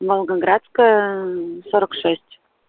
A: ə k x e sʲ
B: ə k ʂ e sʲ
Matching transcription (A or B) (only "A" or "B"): B